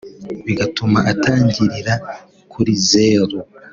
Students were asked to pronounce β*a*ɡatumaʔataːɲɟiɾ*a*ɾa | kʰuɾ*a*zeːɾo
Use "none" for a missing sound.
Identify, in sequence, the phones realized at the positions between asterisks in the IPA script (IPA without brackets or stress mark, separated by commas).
i, i, i